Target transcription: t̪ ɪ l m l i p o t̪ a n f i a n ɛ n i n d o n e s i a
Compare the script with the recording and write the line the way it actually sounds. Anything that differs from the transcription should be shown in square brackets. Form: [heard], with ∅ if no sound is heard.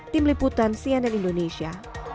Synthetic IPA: t̪ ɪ [∅] m l i p [u] t̪ a n [s] i a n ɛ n i n d o n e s i a

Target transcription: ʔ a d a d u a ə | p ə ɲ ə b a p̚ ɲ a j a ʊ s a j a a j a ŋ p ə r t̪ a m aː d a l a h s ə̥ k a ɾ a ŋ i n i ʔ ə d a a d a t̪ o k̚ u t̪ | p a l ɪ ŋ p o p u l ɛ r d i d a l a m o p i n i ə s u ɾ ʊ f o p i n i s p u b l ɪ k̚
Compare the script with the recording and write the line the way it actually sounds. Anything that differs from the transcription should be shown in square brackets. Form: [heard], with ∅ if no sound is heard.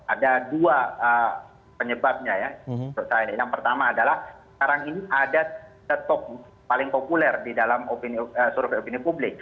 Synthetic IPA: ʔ a d a d u a ə | p ə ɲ ə b a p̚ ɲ a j a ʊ s a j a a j a ŋ p ə r t̪ a m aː d a l a h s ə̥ k a ɾ a ŋ i n i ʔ [a] d a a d a t̪ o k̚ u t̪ | p a l ɪ ŋ p o p u l ɛ r d i d a l a m o p i n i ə s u ɾ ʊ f o p i n i [∅] p u b l ɪ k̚

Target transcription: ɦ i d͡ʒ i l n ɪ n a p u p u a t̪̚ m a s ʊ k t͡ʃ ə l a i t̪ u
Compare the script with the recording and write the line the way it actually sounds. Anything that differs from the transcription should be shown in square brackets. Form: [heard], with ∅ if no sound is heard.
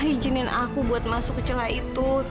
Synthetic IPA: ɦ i d͡ʒ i [∅] n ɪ n a [k] u [b] u a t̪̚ m a s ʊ k t͡ʃ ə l a i t̪ u

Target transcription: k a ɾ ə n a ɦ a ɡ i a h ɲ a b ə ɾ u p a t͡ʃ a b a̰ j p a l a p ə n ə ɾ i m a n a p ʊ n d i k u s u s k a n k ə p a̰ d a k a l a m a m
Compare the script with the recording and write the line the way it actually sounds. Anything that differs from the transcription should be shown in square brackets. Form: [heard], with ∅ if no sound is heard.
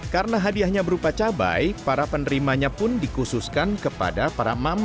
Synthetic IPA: k a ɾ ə n a ɦ a [d] i a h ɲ a b ə ɾ u p a t͡ʃ a b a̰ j p a [ɾ] a p ə n ə ɾ i m a [ɲ] a p ʊ n d i k u s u s k a n k ə p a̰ d a [p] a [ɾ] a m a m

